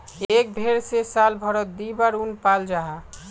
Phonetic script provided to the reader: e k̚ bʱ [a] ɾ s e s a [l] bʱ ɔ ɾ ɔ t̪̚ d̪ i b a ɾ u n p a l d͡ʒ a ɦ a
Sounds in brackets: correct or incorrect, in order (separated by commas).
incorrect, correct